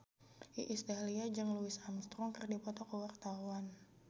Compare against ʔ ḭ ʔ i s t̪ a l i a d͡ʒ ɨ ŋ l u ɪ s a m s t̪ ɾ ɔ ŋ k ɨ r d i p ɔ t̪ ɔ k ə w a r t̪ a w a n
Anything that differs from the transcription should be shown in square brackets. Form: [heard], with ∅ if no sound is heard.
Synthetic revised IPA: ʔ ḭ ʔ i s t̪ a l i a d͡ʒ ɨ ŋ l u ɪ s a m s t̪ ɾ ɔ ŋ k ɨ r d i p ɔ t̪ ɔ k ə w a r t̪ a w a n